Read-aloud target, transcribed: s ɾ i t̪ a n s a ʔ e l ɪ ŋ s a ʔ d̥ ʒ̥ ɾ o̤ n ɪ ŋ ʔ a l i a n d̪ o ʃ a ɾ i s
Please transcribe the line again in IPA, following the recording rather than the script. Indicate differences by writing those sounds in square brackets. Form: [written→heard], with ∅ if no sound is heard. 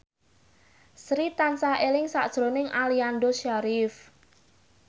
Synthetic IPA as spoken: s ɾ i t̪ a n s a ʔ e l ɪ ŋ s a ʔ d̥ ʒ̥ ɾ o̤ n ɪ ŋ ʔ a l i a n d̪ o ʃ a ɾ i [s→f]